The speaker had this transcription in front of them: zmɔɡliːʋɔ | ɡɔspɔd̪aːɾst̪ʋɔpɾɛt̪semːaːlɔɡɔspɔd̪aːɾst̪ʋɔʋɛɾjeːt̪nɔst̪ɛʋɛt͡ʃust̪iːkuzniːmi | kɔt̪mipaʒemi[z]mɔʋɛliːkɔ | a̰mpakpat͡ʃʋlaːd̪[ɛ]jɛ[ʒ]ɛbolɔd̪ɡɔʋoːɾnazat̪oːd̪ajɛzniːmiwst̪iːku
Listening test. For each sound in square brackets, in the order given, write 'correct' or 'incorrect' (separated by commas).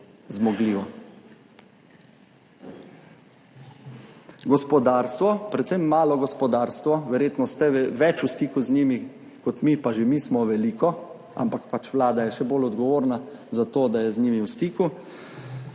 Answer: incorrect, incorrect, incorrect